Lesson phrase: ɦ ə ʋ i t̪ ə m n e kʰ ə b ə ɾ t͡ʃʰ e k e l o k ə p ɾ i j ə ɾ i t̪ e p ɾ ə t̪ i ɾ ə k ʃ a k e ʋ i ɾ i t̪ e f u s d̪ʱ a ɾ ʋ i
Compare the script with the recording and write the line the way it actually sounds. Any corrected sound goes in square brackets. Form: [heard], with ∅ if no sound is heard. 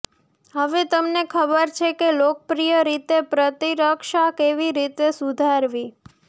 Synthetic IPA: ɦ ə ʋ [e] t̪ ə m n e kʰ ə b ə ɾ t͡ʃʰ e k e l o k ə p ɾ i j ə ɾ i t̪ e p ɾ ə t̪ i ɾ ə k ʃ a k e ʋ i ɾ i t̪ e [s] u [∅] d̪ʱ a ɾ ʋ i